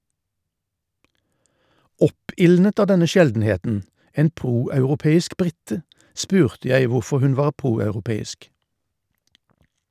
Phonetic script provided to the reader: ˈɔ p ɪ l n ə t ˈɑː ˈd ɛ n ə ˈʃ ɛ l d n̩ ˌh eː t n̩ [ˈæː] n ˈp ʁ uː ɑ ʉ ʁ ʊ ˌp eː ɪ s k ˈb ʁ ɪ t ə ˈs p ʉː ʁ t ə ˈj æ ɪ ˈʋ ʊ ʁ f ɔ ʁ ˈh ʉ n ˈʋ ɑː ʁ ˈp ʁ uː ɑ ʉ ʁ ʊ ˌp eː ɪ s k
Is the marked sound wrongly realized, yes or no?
yes